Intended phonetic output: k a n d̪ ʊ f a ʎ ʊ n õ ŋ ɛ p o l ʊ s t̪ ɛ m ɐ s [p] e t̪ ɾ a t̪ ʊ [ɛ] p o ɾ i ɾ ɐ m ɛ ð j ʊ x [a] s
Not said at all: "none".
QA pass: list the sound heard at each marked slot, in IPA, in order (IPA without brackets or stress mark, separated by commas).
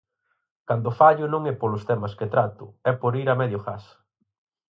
k, ɛ, a